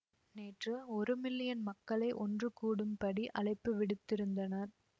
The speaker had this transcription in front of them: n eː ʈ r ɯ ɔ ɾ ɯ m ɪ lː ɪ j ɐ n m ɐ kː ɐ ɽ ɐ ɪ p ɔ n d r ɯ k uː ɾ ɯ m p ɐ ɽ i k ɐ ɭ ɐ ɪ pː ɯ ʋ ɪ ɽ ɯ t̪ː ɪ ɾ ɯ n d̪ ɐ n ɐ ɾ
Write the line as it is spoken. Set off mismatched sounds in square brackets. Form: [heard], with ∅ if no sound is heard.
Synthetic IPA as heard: n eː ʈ r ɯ ɔ ɾ ɯ m ɪ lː ɪ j ɐ n m ɐ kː ɐ [ɭ] ɐ ɪ [ʔ] ɔ n d r ɯ k uː [ɽ] ɯ m p ɐ ɽ i [ʔ] ɐ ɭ ɐ ɪ pː ɯ ʋ ɪ ɽ ɯ t̪ː ɪ ɾ ɯ n d̪ ɐ n ɐ ɾ

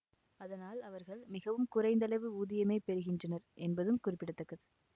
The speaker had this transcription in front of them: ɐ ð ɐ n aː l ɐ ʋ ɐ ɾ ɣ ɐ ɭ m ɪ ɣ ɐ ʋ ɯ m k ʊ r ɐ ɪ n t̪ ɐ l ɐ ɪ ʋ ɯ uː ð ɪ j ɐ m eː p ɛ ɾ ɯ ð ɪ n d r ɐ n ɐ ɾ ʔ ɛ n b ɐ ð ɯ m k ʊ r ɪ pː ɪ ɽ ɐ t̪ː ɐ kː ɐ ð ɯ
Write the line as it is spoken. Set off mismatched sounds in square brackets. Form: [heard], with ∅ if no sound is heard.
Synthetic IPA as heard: ɐ ð ɐ n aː l ɐ ʋ ɐ ɾ ɣ ɐ ɭ m ɪ ɣ ɐ ʋ ɯ m k ʊ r ɐ ɪ n [d̪] ɐ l ɐ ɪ ʋ ɯ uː ð ɪ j ɐ m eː p ɛ ɾ ɯ [ɣ] ɪ n d r ɐ n ɐ ɾ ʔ ɛ n b ɐ ð ɯ m k ʊ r ɪ pː ɪ ɽ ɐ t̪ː ɐ kː ɐ ð ɯ

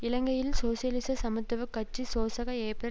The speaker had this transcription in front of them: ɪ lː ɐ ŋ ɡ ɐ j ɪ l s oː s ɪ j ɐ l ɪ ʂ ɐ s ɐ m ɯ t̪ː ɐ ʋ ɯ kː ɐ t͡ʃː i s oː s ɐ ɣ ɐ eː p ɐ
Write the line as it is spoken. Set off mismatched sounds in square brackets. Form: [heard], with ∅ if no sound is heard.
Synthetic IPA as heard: ɪ [l] ɐ ŋ ɡ ɐ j ɪ l s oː s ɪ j ɐ l ɪ [s] ɐ s ɐ m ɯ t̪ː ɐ ʋ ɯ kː ɐ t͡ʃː i s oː s ɐ ɣ ɐ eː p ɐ

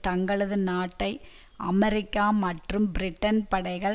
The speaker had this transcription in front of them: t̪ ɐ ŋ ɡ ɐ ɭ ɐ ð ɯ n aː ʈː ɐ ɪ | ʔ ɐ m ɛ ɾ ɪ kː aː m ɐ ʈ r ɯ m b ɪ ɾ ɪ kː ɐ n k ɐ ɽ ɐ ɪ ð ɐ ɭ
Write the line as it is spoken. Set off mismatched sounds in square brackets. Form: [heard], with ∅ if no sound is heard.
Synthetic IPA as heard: t̪ ɐ ŋ ɡ ɐ ɭ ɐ ð ɯ n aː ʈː ɐ ɪ | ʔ ɐ m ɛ ɾ ɪ kː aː m ɐ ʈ r ɯ m b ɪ ɾ ɪ [ʈː] ɐ n [p] ɐ ɽ ɐ ɪ [ɣ] ɐ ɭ

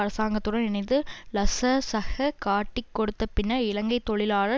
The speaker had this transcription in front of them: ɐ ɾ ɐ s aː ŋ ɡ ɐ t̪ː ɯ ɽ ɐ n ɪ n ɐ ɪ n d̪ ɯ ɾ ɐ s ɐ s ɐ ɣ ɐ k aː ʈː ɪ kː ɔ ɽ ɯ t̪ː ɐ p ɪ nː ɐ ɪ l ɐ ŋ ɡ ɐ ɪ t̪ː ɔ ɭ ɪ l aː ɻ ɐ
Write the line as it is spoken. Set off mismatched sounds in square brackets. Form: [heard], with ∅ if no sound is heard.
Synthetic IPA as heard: ɐ ɾ ɐ s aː ŋ ɡ ɐ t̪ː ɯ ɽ ɐ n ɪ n ɐ ɪ n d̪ ɯ [l] ɐ s ɐ s ɐ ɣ ɐ k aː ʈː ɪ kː ɔ ɽ ɯ t̪ː ɐ p ɪ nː ɐ ɪ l ɐ ŋ ɡ ɐ ɪ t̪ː ɔ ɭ ɪ l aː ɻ ɐ

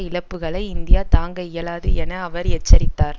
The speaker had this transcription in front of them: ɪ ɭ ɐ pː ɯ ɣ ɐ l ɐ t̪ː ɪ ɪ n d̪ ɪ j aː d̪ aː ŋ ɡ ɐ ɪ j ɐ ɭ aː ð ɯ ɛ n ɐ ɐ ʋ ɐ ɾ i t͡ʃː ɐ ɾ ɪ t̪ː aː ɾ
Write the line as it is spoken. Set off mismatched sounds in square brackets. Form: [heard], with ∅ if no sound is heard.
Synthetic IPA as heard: ɪ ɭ ɐ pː ɯ ɣ ɐ [ɭ] ɐ [∅] ɪ ɪ n d̪ ɪ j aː [t̪] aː ŋ ɡ ɐ ɪ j ɐ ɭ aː ð ɯ ɛ n ɐ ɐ ʋ ɐ ɾ [ɛ] t͡ʃː ɐ ɾ ɪ t̪ː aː ɾ

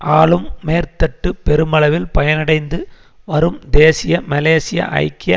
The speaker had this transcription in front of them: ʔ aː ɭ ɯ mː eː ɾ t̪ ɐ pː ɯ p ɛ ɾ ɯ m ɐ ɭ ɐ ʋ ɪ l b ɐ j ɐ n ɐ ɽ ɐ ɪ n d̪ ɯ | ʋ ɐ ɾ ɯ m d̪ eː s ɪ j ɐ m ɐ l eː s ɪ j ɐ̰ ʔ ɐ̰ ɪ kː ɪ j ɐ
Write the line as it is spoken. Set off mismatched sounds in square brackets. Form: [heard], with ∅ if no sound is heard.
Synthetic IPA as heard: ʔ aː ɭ ɯ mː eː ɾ t̪ ɐ [ʈː] ɯ p ɛ ɾ ɯ m ɐ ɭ ɐ ʋ ɪ l [p] ɐ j ɐ n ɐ ɽ ɐ ɪ n d̪ ɯ | ʋ ɐ ɾ ɯ m d̪ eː s ɪ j ɐ m ɐ l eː s ɪ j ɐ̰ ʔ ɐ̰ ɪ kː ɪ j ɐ

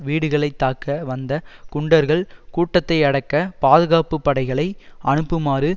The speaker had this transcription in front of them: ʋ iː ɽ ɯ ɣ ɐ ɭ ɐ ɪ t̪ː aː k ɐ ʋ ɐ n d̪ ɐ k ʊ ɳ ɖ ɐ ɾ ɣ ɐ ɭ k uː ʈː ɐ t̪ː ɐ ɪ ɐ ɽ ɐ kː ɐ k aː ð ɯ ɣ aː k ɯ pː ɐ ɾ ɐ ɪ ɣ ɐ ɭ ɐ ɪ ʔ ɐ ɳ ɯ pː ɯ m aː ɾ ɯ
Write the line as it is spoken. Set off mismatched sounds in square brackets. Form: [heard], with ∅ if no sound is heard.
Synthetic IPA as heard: ʋ iː ɽ ɯ ɣ ɐ ɭ ɐ ɪ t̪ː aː k ɐ ʋ ɐ n d̪ ɐ k ʊ ɳ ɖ ɐ ɾ ɣ ɐ ɭ k uː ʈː ɐ t̪ː ɐ ɪ ɐ ɽ ɐ kː ɐ [p] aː ð ɯ ɣ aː [p] ɯ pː ɐ [ɽ] ɐ ɪ ɣ ɐ ɭ ɐ ɪ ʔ ɐ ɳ ɯ pː ɯ m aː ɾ ɯ

